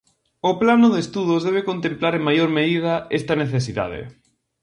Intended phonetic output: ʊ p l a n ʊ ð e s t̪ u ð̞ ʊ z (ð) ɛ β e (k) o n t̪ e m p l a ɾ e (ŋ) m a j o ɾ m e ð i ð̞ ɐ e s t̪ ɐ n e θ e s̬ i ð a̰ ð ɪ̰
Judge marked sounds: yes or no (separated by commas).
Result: yes, yes, yes